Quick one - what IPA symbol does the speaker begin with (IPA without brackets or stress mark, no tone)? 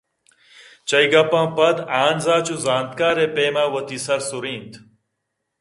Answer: t͡ɕ